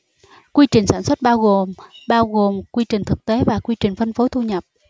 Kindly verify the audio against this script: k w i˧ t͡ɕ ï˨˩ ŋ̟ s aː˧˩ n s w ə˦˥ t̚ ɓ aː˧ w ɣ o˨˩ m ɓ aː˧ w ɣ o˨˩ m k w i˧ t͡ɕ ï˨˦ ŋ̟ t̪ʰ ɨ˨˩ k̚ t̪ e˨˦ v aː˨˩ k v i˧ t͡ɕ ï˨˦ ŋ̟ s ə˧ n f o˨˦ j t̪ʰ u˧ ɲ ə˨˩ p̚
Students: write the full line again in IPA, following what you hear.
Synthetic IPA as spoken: k w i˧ t͡ɕ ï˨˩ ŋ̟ s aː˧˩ n s w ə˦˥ t̚ ɓ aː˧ w ɣ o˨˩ m ɓ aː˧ w ɣ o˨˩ m k w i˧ t͡ɕ ï˨˩ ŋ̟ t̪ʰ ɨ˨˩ k̚ t̪ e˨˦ v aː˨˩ k w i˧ t͡ɕ ï˨˩ ŋ̟ f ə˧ n f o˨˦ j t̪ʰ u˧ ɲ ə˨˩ p̚